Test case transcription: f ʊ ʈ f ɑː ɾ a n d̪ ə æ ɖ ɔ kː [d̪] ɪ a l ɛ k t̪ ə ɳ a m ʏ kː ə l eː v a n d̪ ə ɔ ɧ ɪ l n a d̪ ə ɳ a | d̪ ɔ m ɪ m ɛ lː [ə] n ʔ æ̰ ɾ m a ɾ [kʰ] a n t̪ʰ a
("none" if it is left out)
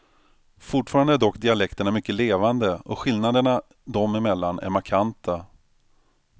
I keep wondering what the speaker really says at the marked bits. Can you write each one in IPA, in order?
d̪, a, kʰ

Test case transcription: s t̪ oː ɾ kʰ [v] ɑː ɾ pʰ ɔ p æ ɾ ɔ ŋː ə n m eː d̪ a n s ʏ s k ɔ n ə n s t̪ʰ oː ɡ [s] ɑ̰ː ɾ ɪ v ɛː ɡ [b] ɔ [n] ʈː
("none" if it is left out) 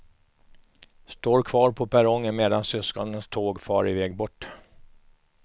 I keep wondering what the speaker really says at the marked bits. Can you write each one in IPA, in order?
v, f, b, none

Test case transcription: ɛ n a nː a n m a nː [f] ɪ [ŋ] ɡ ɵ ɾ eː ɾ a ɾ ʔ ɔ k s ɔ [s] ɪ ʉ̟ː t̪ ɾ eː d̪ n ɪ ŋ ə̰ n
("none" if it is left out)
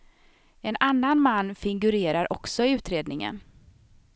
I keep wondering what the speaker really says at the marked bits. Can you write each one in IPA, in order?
f, ŋ, none

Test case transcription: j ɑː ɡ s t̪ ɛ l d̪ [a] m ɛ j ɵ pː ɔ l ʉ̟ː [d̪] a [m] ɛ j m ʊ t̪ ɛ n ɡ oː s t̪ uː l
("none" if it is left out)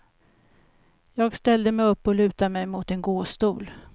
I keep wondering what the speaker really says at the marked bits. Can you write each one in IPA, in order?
ə, t̪, m

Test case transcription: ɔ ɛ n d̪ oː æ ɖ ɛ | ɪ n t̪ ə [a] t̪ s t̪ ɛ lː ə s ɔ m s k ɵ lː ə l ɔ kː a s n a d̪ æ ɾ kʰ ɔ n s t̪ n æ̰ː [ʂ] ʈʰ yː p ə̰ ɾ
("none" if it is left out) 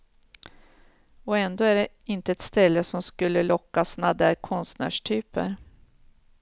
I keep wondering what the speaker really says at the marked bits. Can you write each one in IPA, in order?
ɛ, ʂ

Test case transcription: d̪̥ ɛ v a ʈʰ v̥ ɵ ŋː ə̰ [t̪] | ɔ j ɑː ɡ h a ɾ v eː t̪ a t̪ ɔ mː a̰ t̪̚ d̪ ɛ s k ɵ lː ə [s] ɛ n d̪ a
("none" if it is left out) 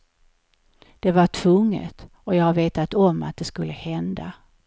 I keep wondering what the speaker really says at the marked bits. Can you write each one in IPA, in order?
t̪, h

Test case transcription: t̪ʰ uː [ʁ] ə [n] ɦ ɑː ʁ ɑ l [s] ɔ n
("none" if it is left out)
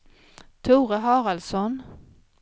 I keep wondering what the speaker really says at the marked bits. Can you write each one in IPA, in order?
ʁ, none, s

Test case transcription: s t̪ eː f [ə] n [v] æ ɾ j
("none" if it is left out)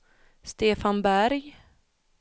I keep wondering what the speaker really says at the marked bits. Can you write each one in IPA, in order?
a, b

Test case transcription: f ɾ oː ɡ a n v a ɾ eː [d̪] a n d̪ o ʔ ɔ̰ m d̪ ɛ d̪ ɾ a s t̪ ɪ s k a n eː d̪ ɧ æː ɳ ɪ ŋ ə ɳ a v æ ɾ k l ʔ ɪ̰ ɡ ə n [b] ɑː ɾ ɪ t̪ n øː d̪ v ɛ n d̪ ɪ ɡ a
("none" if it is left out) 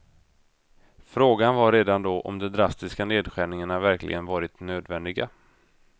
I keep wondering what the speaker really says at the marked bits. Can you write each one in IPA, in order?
d̪, v

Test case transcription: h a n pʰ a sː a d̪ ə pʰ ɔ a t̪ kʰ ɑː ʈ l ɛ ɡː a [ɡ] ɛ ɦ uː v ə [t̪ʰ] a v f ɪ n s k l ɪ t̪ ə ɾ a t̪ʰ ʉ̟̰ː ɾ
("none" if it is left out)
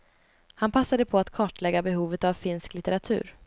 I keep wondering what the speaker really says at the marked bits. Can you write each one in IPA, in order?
b, t̪

